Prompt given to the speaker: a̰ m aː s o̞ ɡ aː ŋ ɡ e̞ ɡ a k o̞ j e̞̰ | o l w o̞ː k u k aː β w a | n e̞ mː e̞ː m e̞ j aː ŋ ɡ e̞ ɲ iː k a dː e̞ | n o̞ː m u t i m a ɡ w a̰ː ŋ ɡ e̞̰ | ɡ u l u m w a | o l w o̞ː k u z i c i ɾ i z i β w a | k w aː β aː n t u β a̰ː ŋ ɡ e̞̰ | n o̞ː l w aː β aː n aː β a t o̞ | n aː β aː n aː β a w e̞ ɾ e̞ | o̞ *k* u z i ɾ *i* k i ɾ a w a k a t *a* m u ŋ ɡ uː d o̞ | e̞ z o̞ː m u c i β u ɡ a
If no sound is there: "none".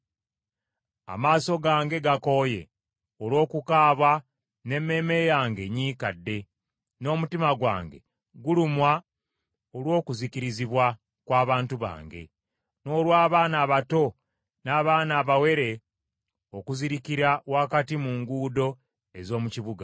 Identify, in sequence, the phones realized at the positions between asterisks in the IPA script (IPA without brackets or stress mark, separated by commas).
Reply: k, i, i